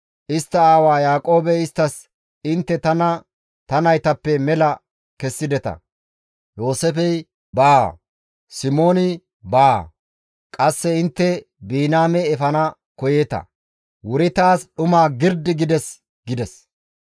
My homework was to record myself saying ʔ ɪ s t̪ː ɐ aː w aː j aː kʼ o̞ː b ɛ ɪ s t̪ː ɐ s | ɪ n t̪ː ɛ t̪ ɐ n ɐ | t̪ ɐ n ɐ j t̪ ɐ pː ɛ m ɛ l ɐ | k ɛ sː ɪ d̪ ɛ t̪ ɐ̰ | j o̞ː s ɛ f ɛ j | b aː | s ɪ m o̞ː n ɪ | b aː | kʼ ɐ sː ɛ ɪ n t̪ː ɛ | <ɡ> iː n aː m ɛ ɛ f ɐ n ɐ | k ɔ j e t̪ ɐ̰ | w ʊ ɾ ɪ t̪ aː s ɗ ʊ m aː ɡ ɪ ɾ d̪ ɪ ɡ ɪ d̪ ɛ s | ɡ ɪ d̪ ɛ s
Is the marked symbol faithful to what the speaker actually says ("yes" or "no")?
no